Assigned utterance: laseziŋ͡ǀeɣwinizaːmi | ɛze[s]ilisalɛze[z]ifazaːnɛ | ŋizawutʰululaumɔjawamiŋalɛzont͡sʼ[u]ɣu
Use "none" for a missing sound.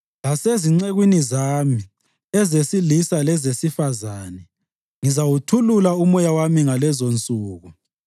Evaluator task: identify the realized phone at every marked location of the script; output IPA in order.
s, s, uː

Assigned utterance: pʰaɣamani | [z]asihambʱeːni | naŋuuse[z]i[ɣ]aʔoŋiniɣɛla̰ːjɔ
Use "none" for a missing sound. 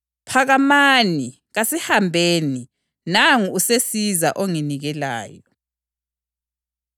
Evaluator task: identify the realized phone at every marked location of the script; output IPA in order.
ɣ, s, z

